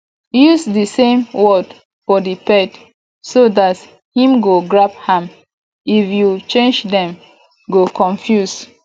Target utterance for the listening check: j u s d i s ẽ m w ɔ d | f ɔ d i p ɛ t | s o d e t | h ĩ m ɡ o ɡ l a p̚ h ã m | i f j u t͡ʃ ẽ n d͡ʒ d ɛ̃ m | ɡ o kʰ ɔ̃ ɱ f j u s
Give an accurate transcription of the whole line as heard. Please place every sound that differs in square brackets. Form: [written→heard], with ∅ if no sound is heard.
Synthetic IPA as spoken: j u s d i s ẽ m w ɔ d | f ɔ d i p ɛ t | s o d [e→a] t | h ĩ m ɡ o ɡ [l→ɹ] a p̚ h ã m | i f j u t͡ʃ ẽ n d͡ʒ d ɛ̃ m | ɡ o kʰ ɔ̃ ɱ f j u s